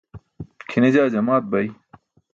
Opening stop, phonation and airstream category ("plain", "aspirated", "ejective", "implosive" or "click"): aspirated